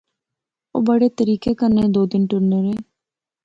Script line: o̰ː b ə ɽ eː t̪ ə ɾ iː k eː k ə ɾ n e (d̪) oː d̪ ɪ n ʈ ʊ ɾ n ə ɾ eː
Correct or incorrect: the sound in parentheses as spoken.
correct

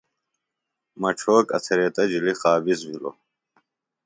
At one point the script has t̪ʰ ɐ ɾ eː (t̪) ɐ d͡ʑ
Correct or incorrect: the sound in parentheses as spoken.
correct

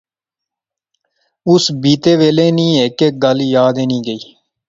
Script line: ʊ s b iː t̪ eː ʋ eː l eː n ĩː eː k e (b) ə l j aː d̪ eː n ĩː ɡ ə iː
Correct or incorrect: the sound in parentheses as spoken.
incorrect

